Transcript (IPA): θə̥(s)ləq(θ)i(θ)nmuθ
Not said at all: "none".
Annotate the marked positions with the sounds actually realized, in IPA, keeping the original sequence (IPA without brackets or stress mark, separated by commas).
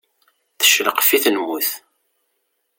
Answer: ʃ, f, θ